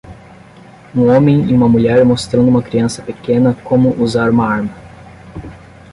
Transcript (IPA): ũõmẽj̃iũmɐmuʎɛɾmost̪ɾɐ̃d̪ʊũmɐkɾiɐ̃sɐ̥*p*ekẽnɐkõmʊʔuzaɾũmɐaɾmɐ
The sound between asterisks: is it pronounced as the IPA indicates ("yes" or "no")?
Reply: yes